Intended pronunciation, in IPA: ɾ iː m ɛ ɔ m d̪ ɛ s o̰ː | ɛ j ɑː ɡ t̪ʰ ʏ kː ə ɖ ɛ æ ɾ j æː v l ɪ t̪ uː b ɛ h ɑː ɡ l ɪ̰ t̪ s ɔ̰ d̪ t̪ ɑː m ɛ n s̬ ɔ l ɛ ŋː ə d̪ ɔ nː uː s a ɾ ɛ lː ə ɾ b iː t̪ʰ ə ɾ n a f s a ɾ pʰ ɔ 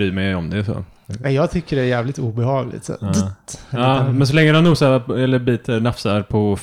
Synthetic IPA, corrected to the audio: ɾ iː m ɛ ɔ m d̪ ɛ s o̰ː | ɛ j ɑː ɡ t̪ʰ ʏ kː ə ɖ ɛ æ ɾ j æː v l ɪ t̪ uː b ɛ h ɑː ɡ l ɪ̰ t̪ s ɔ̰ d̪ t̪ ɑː m ɛ n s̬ ɔ l ɛ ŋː ə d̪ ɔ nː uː s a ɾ ɛ lː ə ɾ b iː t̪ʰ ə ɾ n a f s a ɾ pʰ ɔ